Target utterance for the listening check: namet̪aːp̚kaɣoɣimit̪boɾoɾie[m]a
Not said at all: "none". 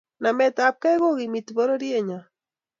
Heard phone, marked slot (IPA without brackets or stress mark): ɲ